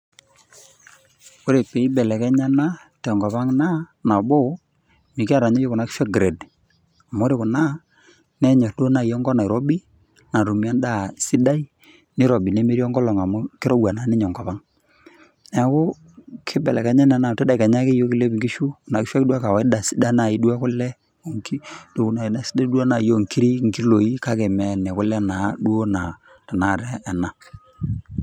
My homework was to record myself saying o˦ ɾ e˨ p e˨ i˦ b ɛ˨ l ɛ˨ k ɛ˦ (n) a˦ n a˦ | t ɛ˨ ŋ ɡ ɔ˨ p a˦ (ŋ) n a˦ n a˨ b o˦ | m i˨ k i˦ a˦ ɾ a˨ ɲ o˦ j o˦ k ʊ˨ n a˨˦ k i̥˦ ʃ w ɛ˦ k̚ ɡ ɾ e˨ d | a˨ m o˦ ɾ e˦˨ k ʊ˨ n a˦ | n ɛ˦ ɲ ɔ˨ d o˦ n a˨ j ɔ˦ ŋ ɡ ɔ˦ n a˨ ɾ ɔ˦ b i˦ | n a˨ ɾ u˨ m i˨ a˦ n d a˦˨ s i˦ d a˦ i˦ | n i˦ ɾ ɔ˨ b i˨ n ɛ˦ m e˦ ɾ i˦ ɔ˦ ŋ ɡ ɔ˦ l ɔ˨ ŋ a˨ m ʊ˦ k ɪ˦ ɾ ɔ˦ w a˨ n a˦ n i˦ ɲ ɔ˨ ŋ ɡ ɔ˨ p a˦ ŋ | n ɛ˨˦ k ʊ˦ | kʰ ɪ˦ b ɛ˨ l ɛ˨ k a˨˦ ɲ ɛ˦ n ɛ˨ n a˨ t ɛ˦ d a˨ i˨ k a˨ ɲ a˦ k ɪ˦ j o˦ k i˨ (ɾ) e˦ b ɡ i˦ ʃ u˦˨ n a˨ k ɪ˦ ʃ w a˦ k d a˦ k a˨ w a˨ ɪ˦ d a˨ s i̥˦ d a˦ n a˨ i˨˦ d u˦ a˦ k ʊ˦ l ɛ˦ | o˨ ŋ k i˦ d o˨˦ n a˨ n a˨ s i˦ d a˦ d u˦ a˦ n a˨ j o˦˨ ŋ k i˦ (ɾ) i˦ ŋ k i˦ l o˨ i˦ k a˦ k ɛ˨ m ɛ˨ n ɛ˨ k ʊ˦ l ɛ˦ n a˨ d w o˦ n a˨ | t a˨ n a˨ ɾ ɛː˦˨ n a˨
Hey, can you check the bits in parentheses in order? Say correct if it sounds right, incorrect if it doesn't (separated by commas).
incorrect, correct, incorrect, correct